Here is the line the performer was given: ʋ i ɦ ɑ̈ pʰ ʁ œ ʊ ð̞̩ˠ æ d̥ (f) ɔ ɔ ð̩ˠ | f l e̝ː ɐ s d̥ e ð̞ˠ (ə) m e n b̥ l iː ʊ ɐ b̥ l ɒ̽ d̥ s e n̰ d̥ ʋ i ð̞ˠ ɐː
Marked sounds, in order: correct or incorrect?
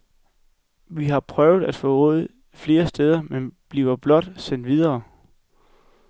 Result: correct, incorrect

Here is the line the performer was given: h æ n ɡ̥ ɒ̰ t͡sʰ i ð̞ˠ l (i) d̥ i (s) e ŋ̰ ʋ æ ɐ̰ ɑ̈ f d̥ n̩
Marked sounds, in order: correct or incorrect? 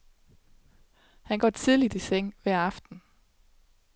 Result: correct, correct

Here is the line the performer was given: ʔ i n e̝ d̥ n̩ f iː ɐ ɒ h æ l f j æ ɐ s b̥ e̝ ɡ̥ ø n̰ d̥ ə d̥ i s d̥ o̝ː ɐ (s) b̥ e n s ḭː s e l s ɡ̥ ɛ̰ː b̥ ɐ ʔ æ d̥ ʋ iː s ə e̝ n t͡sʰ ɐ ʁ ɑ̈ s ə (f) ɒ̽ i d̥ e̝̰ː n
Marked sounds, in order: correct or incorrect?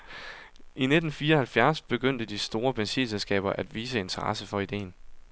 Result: incorrect, correct

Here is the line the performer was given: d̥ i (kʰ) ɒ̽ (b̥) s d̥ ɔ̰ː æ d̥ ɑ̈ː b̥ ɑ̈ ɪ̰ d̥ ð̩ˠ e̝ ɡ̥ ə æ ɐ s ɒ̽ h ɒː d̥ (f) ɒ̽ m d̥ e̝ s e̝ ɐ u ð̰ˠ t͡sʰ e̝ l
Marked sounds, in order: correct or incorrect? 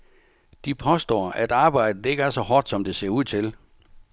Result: incorrect, incorrect, incorrect

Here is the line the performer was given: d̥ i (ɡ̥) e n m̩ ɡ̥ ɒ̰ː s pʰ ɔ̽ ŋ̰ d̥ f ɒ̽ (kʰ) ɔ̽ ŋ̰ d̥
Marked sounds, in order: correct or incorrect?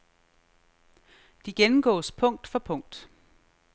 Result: correct, incorrect

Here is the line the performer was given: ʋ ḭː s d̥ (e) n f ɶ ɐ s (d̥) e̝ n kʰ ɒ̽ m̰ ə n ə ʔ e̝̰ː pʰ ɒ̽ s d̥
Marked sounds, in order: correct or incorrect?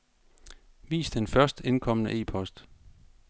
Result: correct, correct

